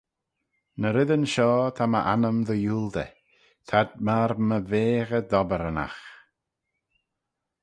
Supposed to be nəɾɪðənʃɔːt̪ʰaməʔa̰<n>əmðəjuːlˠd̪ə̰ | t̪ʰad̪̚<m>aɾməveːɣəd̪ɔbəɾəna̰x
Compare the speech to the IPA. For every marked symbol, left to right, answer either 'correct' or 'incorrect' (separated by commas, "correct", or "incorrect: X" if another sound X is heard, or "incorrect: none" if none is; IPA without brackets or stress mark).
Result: correct, correct